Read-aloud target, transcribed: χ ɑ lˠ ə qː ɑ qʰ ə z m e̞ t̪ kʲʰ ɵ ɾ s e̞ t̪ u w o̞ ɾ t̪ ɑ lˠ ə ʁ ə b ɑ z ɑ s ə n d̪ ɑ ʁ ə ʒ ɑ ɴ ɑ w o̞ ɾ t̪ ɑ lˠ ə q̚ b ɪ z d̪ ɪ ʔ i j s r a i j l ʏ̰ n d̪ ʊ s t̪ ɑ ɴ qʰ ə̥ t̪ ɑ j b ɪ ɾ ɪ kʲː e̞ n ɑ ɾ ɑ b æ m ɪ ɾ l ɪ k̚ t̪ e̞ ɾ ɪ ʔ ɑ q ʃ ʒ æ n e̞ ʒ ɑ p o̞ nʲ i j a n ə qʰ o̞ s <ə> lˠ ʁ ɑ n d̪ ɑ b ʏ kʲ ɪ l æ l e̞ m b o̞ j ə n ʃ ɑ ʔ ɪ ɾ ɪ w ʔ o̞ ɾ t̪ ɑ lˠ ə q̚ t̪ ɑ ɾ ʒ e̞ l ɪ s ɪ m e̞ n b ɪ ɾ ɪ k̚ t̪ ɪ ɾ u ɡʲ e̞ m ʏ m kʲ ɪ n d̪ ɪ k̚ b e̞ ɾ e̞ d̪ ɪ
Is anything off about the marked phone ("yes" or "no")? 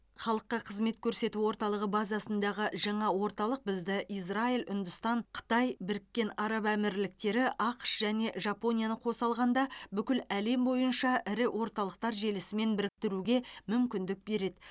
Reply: yes